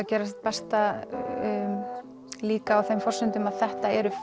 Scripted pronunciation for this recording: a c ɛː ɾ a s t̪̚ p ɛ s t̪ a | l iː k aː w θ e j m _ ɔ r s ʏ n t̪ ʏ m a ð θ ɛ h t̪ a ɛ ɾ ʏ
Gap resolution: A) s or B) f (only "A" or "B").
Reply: B